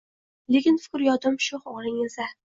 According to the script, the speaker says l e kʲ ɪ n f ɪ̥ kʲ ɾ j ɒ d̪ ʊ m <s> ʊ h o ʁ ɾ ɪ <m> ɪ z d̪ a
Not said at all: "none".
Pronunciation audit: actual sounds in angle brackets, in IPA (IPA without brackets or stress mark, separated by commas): ʃ, ŋ